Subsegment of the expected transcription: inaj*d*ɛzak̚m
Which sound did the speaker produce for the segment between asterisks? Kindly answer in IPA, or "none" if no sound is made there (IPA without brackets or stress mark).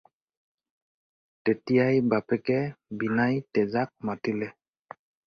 t